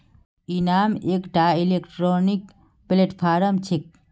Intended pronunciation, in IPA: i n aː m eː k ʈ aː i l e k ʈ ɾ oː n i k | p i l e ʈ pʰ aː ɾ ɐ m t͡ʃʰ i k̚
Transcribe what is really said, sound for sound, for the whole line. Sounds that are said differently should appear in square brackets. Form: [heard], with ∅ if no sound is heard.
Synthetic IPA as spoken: i n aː m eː k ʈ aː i l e k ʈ ɾ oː n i k | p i l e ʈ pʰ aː ɾ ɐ m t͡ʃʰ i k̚